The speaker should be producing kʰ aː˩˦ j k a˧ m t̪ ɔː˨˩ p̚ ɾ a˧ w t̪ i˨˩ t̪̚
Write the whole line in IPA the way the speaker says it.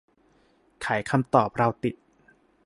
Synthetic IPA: kʰ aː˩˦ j kʰ a˧ m t̪ ɔː˨˩ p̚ ɾ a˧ w t̪ i˨˩ t̪̚